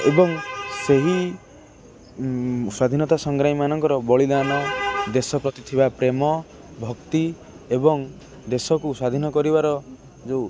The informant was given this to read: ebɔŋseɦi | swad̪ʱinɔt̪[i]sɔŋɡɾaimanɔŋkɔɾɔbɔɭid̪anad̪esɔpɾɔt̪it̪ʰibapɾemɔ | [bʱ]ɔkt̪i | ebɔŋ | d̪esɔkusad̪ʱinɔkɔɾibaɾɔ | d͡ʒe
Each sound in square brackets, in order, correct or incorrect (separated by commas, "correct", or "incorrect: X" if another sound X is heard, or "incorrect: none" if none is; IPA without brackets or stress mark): incorrect: a, correct